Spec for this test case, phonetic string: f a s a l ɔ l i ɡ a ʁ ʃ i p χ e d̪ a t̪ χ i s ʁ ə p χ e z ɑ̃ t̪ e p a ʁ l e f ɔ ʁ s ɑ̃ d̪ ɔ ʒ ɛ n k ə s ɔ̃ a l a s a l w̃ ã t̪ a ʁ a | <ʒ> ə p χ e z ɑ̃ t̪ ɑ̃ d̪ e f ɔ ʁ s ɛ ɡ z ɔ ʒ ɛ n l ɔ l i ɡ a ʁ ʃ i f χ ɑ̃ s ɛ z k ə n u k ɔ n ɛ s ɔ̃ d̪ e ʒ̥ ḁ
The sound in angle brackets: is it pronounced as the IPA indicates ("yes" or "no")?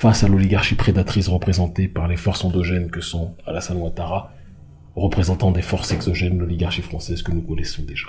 no